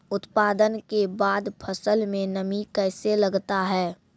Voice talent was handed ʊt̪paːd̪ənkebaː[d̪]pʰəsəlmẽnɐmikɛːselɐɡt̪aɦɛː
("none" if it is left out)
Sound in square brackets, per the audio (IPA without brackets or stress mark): d̪